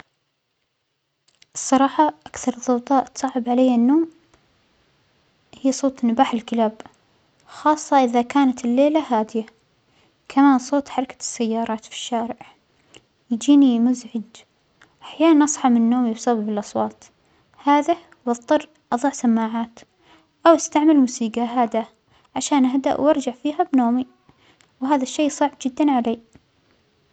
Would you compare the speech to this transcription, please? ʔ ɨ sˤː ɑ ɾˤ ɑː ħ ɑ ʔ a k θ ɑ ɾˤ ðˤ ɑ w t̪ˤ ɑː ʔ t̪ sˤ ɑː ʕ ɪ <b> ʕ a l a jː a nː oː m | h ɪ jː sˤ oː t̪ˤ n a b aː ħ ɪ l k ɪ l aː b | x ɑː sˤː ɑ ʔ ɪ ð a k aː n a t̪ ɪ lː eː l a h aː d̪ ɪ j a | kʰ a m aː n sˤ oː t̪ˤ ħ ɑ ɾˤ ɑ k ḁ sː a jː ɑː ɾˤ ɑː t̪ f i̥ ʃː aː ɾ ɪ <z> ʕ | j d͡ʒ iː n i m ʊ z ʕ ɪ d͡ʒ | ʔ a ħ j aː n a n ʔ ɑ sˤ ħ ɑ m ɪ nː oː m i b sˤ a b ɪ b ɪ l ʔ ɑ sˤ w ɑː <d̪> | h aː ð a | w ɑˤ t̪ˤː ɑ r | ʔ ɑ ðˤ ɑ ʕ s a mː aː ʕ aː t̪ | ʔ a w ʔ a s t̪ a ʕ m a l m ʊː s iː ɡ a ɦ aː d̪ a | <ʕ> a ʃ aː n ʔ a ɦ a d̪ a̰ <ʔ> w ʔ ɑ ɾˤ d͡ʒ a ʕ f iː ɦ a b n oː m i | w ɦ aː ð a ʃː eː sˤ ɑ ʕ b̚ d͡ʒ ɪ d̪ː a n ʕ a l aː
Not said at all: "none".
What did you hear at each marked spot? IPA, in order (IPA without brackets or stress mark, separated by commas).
b, ʕ, t̪, ʕ, ʔ